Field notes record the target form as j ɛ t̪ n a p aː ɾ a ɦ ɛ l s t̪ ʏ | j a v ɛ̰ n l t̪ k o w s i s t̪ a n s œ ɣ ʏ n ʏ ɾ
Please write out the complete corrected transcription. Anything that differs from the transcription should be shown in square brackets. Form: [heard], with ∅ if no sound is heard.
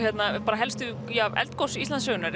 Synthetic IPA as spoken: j ɛ t̪ n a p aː ɾ a ɦ ɛ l s t̪ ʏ | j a v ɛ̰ [∅] l t̪ k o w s i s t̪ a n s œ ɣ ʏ n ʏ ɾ